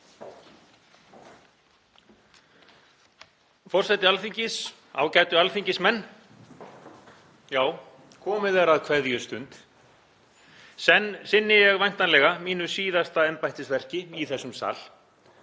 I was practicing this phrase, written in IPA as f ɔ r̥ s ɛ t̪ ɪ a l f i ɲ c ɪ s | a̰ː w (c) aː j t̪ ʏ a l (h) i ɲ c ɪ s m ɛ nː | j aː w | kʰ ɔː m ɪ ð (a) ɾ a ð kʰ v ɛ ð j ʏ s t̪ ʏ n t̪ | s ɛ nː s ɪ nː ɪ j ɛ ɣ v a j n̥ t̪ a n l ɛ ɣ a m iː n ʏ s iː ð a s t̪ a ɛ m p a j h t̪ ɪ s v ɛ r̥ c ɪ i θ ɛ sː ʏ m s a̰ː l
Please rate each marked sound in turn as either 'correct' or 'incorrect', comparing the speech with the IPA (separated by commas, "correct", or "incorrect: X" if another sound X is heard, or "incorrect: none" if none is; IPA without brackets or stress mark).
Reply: correct, incorrect: f, incorrect: ɛ